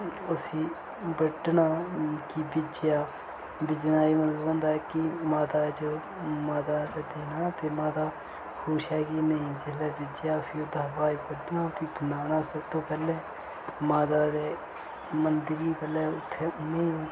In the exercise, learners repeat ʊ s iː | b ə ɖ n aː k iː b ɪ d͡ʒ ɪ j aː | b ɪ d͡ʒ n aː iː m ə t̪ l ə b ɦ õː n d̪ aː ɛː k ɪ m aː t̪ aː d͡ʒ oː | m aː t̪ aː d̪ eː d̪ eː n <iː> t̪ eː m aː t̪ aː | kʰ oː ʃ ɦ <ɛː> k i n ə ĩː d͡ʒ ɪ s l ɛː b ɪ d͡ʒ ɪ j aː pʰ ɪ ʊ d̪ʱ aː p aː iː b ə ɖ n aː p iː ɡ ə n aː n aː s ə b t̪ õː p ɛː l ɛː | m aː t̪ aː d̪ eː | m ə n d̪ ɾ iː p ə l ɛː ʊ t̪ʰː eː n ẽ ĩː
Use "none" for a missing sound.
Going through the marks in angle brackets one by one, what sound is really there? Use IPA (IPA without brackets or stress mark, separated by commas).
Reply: aː, ɛː